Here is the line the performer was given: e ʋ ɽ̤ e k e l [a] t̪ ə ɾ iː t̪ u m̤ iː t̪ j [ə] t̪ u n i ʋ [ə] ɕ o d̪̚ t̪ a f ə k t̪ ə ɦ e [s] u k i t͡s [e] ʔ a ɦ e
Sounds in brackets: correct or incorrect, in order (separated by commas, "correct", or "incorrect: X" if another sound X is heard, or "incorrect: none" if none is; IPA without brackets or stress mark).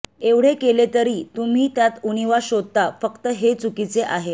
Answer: incorrect: e, incorrect: a, incorrect: a, incorrect: t͡s, correct